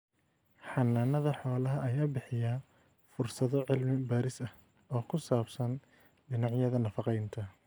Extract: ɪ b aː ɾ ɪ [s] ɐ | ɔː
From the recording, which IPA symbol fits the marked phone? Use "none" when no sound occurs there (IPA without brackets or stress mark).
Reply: s